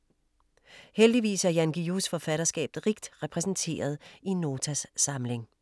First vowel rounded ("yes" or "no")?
no